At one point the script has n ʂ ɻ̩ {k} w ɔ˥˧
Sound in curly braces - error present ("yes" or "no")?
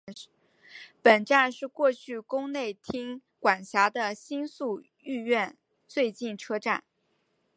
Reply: no